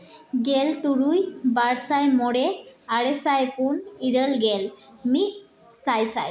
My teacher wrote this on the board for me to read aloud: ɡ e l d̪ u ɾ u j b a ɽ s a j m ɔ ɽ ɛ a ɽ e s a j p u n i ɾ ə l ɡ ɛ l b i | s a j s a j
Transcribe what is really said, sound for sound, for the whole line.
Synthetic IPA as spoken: ɡ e l t̪ u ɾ u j b a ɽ s a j m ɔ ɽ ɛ a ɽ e s a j p u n i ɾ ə l ɡ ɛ l m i | s a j s a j